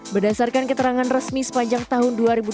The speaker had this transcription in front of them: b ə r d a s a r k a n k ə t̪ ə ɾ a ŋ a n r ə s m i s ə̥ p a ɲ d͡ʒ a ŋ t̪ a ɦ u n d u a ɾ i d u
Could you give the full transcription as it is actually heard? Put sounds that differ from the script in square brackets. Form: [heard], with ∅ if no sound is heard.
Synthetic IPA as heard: b ə r d a s a r k a n k ə t̪ ə ɾ a ŋ a n r ə s m i s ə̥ p a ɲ d͡ʒ a ŋ t̪ a ɦ [ʊ] n d u a ɾ i [b] u

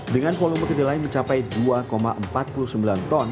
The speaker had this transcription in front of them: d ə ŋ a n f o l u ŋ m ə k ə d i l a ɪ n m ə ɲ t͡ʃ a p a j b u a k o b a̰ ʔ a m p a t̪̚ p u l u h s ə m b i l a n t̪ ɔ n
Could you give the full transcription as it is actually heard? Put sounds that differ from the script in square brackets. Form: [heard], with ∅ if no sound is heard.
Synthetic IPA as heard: d ə ŋ a n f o l u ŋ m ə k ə d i l a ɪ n m ə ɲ t͡ʃ a p a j [d] u a k o [m] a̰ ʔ [ə] m p a t̪̚ p u l u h s ə m b i l a n t̪ ɔ n

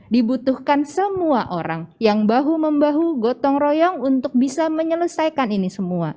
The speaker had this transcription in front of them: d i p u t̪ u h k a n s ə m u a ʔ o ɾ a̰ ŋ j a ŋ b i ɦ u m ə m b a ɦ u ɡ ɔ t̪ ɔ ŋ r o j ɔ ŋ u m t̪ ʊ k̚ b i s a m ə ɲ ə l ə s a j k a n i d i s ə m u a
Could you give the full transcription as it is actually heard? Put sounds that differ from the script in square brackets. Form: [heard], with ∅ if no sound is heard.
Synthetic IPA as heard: d i [b] u t̪ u h k a n s ə m u a ʔ o ɾ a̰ ŋ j a ŋ b [a] ɦ u m ə m b a ɦ u ɡ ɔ t̪ ɔ ŋ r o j ɔ ŋ u [n] t̪ ʊ k̚ b i s a m ə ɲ ə l ə s a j k a n i [n] i s ə m u a

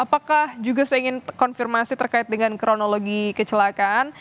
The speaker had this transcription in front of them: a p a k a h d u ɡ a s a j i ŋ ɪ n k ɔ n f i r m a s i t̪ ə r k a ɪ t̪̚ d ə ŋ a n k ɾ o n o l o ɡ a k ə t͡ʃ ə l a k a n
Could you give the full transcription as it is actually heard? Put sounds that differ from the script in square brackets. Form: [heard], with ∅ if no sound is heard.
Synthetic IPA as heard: a p a k a h [d͡ʒ] u ɡ a s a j i ŋ ɪ n k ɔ n f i r m a s i t̪ ə r k a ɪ t̪̚ d ə ŋ a n k ɾ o n o l o ɡ [i] k ə t͡ʃ ə l a k a n

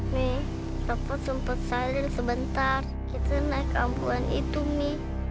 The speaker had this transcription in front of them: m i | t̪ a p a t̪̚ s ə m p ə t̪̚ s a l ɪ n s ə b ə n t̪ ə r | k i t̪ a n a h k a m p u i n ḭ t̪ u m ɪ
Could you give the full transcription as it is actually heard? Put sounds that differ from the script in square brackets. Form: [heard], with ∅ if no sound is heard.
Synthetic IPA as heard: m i | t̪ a p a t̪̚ s ə m p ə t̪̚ s a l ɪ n s ə b ə n t̪ [a] r | k i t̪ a n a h k a m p u [a] n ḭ t̪ u m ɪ

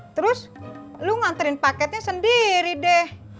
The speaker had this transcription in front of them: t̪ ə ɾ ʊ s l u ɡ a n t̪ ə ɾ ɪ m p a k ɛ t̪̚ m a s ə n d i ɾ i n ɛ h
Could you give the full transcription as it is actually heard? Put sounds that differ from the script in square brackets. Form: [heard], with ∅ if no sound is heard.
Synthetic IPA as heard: t̪ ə ɾ ʊ s l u [ŋ] a n t̪ ə ɾ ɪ [n] p a k ɛ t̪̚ [ɲ] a s ə n d i ɾ i [d] ɛ h

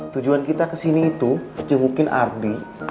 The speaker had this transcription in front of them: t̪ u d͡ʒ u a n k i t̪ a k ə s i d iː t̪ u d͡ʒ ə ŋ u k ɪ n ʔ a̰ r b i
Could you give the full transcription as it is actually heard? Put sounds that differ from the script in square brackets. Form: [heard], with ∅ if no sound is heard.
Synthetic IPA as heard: t̪ u d͡ʒ u a n k i t̪ a k ə s i [n] iː t̪ u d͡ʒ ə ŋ u k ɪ n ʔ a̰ r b i

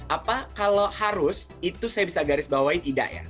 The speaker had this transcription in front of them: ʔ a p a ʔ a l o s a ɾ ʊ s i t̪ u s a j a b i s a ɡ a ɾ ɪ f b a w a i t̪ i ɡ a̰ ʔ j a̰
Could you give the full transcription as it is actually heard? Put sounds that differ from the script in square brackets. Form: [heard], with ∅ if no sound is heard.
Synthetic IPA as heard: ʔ a p a [k] a l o [h] a ɾ ʊ s i t̪ u s a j a b i s a ɡ a ɾ ɪ [s] b a w a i t̪ i [d] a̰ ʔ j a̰

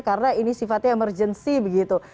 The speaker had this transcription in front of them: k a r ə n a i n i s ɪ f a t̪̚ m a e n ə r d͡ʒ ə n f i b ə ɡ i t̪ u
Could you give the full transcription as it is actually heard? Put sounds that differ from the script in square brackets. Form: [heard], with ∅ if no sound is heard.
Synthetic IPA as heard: k a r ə n a i n i s [i] f a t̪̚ [ɲ] a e [m] ə r d͡ʒ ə n [s] i b ə ɡ i t̪ u

